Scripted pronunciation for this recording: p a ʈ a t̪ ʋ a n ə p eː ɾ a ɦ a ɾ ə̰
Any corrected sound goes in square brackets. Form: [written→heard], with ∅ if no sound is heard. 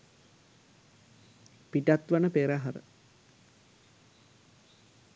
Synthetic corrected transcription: p [a→i] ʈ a t̪ ʋ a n ə p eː ɾ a ɦ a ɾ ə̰